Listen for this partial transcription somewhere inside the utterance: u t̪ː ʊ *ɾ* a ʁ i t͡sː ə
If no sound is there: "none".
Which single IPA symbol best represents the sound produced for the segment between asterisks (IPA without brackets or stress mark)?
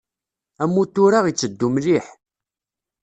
ɾ